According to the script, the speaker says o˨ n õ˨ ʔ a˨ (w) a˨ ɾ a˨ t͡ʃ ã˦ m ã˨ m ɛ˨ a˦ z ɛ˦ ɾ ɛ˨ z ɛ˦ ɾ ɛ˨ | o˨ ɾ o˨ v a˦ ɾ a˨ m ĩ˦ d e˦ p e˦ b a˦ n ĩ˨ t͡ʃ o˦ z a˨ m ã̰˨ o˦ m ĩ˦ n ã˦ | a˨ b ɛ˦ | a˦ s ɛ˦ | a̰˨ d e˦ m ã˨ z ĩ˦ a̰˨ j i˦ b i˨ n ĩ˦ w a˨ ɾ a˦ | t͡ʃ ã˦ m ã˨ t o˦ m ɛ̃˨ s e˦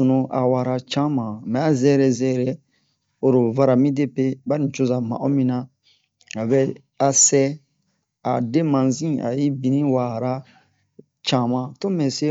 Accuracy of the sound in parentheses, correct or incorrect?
correct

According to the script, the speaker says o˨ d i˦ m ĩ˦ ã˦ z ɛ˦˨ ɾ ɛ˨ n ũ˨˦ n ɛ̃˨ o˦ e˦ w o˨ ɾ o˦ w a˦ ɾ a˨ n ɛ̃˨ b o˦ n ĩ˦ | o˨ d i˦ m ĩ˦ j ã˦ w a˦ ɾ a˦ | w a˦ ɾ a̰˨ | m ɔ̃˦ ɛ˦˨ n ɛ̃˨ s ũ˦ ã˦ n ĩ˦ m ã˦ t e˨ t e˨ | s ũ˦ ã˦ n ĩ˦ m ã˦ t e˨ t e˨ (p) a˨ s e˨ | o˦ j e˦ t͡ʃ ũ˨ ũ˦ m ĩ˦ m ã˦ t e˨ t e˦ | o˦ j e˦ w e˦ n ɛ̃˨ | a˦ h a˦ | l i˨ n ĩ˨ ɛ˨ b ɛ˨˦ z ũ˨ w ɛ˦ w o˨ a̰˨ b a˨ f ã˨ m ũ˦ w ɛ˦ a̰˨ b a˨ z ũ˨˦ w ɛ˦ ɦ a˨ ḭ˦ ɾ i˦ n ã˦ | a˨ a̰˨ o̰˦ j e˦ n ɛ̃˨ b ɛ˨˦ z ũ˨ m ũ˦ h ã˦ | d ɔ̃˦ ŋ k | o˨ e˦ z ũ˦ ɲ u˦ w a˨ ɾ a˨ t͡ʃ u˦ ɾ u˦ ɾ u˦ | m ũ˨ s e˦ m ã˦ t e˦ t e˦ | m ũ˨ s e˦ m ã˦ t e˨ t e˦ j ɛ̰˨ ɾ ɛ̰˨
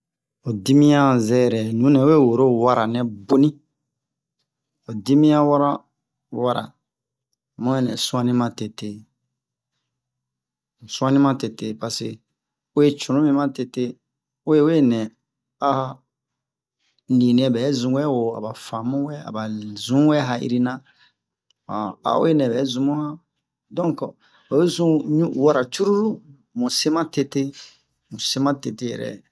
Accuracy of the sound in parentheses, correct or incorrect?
correct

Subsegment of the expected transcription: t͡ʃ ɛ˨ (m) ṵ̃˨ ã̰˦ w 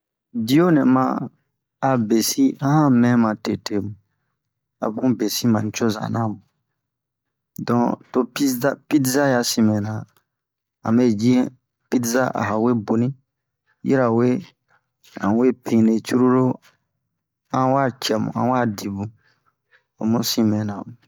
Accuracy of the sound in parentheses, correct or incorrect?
correct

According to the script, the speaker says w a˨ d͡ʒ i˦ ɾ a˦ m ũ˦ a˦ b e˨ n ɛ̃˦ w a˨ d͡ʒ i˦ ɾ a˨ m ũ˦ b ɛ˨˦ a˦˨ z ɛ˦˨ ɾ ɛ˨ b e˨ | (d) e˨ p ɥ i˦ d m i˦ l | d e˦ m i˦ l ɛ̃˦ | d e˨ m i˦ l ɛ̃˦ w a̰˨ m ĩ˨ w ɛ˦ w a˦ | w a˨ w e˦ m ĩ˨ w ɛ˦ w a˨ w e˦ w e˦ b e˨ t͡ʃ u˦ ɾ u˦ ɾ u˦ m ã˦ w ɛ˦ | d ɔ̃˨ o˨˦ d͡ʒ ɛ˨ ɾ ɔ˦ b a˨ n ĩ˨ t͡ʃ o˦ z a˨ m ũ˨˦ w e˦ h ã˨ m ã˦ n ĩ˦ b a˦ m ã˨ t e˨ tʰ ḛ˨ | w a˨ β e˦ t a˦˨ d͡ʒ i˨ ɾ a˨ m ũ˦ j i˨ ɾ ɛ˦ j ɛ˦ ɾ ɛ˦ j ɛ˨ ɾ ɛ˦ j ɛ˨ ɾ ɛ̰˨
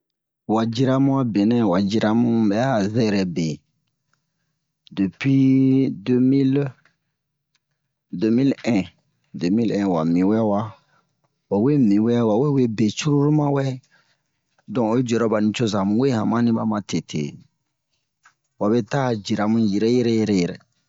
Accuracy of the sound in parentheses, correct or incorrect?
correct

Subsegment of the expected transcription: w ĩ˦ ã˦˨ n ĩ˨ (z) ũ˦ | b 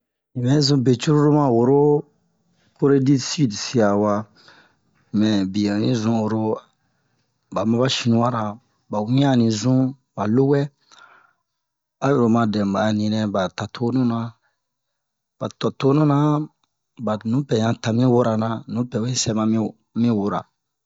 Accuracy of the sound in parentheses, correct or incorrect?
correct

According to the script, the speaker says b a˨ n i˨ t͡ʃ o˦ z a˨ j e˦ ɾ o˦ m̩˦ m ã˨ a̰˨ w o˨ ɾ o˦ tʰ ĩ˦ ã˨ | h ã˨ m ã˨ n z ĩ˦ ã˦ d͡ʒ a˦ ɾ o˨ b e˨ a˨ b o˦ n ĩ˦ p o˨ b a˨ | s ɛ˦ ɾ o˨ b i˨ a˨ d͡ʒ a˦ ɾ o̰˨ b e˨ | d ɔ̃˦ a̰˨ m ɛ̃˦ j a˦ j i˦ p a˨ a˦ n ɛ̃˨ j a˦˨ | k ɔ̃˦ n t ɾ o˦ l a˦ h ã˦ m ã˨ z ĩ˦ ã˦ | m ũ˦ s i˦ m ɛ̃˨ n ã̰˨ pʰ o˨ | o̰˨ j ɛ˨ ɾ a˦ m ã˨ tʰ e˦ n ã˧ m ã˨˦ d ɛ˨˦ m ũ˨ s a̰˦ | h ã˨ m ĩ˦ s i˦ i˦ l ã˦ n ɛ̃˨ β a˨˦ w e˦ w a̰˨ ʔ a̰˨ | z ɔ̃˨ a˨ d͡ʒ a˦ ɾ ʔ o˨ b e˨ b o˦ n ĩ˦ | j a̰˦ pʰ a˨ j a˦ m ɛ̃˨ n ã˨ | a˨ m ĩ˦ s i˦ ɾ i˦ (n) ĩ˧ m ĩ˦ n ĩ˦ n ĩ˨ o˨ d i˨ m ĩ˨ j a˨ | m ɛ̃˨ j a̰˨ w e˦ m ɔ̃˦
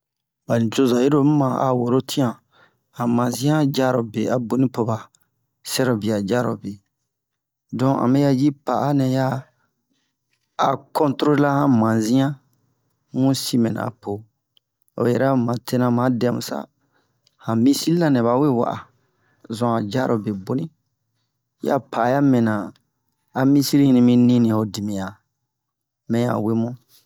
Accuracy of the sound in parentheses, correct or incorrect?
correct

